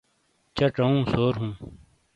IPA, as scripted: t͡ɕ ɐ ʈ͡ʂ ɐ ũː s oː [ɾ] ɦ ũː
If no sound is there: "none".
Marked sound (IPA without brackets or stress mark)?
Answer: ɾ